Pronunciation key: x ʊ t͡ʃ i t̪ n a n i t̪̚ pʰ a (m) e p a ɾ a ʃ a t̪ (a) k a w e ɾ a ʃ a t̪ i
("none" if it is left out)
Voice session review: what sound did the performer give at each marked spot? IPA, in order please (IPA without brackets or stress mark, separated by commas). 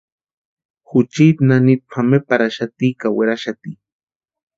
m, i